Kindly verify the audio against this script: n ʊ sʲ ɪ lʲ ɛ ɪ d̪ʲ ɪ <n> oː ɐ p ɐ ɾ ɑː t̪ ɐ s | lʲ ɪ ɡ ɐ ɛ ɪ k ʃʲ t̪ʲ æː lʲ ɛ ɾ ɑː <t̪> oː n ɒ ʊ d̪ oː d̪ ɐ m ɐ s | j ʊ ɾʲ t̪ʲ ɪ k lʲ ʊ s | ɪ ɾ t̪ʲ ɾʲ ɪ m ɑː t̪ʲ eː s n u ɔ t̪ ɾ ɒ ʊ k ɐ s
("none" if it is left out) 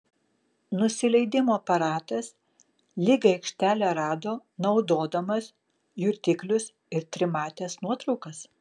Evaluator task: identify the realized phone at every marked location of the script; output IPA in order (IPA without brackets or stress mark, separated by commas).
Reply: m, d̪